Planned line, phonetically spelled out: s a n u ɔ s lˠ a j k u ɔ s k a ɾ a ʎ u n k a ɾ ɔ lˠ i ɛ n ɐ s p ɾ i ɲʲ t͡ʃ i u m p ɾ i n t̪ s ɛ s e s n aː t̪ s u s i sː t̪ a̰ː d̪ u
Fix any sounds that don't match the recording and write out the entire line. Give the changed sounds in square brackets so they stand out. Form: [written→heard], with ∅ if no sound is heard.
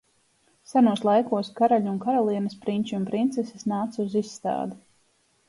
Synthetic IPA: s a n u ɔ s lˠ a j k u ɔ s k a ɾ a ʎ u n k a ɾ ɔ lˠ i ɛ n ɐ s p ɾ i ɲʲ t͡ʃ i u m p ɾ i n t̪ s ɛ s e s n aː t̪ s u [s→z] i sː t̪ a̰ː d̪ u